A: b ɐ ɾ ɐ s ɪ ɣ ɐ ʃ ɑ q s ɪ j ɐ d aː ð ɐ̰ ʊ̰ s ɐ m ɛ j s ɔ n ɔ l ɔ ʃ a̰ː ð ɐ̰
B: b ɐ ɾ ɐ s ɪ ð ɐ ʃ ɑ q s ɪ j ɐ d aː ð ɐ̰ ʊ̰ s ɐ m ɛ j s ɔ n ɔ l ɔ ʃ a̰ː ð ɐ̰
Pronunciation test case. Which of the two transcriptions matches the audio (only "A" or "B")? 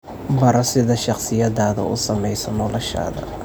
B